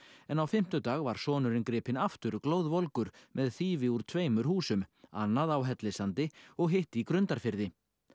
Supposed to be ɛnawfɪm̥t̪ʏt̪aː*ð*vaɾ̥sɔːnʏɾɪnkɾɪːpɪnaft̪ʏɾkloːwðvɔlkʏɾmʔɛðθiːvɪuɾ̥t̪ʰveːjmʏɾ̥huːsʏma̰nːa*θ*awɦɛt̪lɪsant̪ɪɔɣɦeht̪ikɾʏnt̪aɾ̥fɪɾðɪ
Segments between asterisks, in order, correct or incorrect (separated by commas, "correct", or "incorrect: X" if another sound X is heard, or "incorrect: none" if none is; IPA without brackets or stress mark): incorrect: ɣ, incorrect: ð